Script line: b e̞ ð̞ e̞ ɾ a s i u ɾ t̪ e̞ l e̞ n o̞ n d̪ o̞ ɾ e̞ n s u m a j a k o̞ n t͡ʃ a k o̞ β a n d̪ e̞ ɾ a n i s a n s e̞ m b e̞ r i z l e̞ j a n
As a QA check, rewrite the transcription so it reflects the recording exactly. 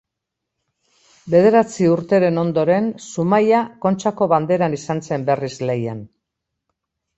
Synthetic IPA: b e̞ ð̞ e̞ ɾ a t͡s i u ɾ t̪ e̞ ɾ e̞ n o̞ n d̪ o̞ ɾ e̞ n s u m a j a k o̞ n t͡ʃ a k o̞ β a n d̪ e̞ ɾ a n i s a n s e̞ m b e̞ r i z l e̞ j a n